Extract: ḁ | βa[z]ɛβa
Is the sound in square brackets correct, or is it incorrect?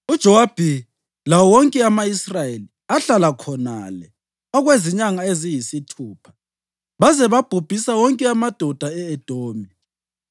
correct